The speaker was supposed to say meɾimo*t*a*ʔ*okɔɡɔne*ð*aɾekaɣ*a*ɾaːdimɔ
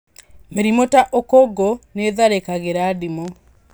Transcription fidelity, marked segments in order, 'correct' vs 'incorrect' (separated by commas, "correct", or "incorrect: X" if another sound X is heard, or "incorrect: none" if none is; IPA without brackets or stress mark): correct, correct, correct, incorrect: e